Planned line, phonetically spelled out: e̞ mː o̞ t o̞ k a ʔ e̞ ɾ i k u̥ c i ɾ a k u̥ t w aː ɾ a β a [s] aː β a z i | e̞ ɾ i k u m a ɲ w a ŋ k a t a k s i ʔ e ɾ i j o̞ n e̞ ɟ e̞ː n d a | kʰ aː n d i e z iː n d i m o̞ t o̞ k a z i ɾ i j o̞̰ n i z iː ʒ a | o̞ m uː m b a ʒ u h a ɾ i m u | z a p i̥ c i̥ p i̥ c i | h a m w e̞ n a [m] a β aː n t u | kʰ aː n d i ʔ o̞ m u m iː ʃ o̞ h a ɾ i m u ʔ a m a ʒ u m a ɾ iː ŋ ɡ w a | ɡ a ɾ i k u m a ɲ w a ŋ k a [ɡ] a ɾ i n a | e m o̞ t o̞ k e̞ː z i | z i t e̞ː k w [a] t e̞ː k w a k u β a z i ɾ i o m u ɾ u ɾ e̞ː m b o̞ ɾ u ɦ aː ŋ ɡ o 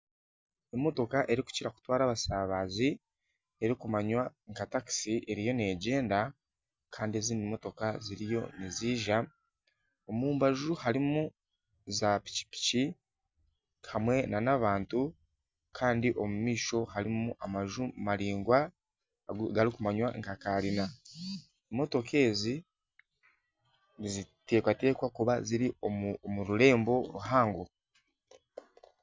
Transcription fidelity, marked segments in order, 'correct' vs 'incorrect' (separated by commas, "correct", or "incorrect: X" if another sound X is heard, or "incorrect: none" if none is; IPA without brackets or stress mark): correct, incorrect: n, incorrect: k, correct